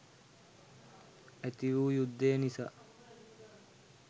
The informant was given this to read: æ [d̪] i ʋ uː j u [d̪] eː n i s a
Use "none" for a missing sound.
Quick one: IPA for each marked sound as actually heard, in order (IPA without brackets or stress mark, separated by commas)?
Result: t̪, d̪ː